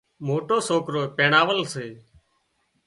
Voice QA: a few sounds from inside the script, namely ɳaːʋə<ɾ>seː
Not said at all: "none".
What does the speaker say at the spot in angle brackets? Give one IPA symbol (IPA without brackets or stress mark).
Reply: l